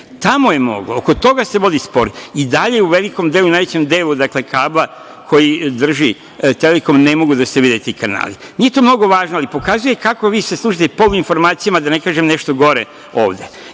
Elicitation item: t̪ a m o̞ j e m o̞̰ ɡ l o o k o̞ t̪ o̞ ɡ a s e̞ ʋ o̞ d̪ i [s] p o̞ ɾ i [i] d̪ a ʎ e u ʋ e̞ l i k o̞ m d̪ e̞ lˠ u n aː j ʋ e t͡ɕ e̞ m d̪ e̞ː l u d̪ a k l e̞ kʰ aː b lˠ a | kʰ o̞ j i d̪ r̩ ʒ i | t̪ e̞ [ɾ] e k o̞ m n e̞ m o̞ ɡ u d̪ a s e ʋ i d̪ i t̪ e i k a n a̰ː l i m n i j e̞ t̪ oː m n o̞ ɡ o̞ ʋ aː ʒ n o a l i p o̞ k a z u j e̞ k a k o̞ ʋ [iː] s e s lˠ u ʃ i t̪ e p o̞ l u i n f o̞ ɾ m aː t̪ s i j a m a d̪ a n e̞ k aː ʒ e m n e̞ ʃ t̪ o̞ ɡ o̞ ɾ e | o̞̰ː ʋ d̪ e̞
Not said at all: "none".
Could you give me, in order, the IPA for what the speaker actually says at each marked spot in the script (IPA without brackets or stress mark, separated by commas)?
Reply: s, i, l, iː